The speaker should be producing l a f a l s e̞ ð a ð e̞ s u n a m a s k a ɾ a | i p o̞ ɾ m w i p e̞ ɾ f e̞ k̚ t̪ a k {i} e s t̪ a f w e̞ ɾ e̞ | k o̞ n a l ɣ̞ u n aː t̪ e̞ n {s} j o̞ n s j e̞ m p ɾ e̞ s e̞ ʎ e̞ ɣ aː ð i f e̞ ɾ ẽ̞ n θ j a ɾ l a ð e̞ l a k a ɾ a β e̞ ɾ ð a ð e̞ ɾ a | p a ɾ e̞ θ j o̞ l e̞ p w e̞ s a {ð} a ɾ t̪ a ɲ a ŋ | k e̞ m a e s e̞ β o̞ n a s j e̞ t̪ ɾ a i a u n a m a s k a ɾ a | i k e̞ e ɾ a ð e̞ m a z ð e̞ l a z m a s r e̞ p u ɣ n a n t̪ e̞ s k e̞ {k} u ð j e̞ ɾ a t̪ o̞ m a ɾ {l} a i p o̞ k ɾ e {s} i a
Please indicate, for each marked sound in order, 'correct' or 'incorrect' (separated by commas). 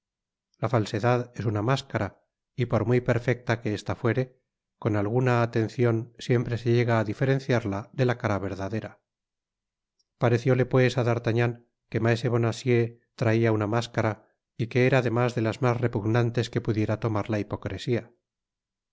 incorrect, incorrect, correct, incorrect, correct, correct